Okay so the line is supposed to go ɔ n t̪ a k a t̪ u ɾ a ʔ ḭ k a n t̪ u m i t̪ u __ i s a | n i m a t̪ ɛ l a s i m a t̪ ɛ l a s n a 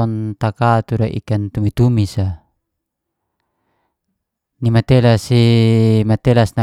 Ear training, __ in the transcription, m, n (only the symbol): m